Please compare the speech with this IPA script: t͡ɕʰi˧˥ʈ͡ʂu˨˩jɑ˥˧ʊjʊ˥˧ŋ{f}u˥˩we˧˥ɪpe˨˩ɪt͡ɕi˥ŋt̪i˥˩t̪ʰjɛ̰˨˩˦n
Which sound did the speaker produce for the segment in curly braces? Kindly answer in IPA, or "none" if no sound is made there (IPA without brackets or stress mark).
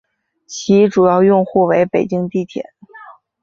x